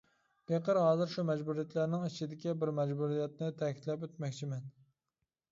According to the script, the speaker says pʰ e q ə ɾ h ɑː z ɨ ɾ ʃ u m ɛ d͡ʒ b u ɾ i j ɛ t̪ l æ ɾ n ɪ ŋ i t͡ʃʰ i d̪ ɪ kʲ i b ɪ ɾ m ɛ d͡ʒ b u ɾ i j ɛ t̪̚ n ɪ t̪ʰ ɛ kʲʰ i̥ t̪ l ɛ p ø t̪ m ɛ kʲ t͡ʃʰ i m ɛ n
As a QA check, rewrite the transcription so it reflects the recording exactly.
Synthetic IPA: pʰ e q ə ɾ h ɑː z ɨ ɾ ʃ u m ɛ d͡ʒ b u ɾ i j ɛ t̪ l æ ɾ n ɪ ŋ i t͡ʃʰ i d̪ ɪ kʲ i b ɪ ɾ m ɛ d͡ʒ b u ɾ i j ɛ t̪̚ n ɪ t̪ʰ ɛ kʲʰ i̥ t̪ l ɛ p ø t̪ m ɛ kʲ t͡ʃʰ i m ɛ n